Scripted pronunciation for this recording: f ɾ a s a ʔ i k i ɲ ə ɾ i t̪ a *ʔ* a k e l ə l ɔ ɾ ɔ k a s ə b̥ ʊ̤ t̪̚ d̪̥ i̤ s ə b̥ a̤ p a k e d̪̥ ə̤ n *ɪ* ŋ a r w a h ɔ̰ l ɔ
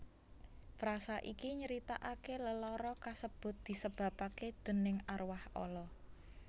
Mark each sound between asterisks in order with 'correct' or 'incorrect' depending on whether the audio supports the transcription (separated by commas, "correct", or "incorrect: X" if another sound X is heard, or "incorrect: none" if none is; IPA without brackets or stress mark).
correct, correct